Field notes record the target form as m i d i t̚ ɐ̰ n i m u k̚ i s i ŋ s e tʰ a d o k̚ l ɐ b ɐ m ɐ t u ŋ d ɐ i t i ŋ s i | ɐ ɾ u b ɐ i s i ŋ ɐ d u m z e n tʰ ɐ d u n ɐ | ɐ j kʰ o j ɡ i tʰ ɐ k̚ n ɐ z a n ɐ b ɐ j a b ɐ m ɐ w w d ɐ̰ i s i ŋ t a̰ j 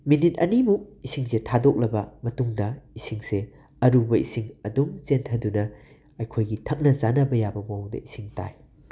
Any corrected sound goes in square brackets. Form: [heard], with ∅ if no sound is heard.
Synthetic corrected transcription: m i [n] i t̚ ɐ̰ n i m u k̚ i s i ŋ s e tʰ a d o k̚ l ɐ b ɐ m ɐ t u ŋ d ɐ i [s] i ŋ s [e] | ɐ ɾ u b ɐ i s i ŋ ɐ d u m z e n tʰ ɐ d u n ɐ | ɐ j kʰ o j ɡ i tʰ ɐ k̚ n ɐ z a n ɐ b ɐ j a b ɐ m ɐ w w d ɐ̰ i s i ŋ t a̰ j